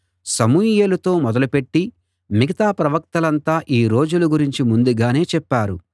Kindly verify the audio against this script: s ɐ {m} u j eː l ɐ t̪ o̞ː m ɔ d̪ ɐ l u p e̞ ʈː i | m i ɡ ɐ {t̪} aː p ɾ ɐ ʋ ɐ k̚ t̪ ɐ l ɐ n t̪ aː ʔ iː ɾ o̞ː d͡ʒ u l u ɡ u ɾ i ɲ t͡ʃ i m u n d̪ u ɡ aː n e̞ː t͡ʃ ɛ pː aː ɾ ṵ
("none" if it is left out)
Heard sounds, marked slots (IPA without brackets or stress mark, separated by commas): m, t̪